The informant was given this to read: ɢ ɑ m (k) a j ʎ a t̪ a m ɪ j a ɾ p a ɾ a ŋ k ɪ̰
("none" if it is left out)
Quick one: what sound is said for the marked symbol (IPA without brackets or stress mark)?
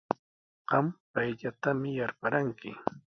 p